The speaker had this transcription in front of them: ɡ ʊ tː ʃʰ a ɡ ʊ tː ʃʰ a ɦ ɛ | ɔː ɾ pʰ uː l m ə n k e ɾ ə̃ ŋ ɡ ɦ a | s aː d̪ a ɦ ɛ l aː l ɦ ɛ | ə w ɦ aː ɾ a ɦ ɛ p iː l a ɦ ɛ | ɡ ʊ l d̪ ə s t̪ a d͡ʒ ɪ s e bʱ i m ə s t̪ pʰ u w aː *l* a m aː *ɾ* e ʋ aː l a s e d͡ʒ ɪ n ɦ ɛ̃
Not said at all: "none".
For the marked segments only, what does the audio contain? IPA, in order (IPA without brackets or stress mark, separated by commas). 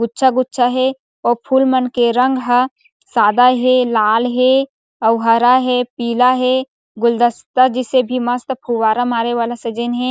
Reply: ɾ, ɾ